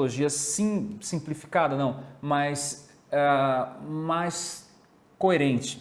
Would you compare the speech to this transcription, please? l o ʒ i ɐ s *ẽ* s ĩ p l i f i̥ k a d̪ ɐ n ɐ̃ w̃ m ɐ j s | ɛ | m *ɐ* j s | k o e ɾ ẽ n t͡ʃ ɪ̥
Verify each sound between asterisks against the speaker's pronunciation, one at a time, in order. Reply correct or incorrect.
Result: incorrect: ĩ, incorrect: a

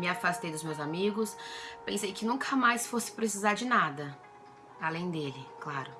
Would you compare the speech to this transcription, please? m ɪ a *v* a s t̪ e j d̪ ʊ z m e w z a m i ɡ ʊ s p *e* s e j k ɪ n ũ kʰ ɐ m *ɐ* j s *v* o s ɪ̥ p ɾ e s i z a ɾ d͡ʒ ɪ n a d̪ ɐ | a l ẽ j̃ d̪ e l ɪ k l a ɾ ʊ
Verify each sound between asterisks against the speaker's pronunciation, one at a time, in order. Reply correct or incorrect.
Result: incorrect: f, incorrect: ẽ, incorrect: a, incorrect: f

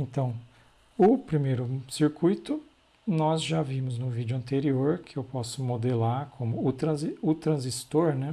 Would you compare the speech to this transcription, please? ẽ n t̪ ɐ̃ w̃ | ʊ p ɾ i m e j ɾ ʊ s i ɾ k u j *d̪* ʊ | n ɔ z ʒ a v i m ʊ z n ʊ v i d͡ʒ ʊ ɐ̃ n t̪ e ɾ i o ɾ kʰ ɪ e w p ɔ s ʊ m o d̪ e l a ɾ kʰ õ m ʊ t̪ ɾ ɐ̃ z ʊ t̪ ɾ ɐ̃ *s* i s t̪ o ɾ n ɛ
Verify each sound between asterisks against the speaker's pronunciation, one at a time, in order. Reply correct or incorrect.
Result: incorrect: t̪, incorrect: z

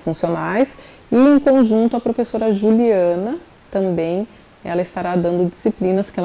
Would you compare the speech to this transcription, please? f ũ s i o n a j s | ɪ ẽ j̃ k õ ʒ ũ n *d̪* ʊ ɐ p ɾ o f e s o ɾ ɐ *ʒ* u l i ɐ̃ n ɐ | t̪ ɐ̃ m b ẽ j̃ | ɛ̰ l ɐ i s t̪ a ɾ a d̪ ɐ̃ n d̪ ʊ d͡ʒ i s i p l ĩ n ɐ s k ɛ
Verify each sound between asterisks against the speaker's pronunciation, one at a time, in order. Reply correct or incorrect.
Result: incorrect: t̪, correct

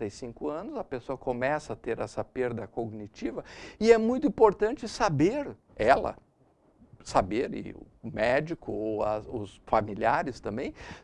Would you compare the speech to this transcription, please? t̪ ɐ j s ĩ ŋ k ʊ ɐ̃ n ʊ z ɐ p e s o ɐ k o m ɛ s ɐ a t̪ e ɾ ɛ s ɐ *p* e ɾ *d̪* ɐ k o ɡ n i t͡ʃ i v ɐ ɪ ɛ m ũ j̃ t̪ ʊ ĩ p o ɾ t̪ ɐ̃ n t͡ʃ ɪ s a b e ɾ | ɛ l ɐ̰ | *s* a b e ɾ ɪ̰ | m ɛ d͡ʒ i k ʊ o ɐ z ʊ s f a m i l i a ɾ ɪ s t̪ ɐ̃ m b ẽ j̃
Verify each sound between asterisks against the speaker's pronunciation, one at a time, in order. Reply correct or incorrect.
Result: correct, correct, correct

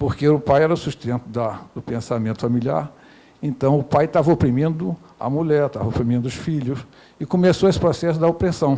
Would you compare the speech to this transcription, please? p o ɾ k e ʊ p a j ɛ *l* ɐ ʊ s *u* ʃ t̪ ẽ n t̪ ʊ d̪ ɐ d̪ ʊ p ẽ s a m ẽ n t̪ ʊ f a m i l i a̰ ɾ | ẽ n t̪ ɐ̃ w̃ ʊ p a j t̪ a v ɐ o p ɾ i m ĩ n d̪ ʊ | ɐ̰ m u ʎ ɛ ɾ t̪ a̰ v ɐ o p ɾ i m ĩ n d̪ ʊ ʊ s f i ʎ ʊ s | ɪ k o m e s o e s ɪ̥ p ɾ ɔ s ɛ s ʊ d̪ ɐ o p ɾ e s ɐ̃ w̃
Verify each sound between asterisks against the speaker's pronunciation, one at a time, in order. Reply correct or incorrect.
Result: incorrect: ɾ, correct

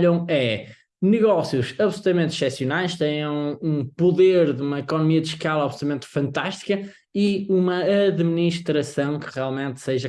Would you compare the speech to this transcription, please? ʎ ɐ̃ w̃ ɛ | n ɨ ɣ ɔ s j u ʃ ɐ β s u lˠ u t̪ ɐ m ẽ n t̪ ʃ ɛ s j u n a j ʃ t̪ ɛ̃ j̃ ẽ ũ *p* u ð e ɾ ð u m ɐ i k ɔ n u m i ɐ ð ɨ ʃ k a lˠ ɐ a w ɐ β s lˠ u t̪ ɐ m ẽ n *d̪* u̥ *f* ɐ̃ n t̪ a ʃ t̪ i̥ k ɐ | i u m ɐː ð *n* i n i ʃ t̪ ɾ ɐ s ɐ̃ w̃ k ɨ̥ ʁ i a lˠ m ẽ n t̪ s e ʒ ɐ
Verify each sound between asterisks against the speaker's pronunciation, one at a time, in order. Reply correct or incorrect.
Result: correct, incorrect: t̪, correct, incorrect: m

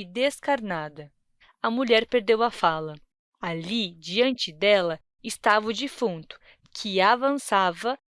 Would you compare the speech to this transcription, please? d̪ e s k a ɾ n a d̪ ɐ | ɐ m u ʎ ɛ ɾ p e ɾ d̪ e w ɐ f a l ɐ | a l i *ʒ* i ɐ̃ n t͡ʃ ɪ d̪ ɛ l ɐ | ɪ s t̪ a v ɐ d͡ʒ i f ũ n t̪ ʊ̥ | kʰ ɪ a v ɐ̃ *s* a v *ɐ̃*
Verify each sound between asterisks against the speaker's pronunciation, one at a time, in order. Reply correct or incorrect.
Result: incorrect: d͡ʒ, correct, incorrect: ɐ

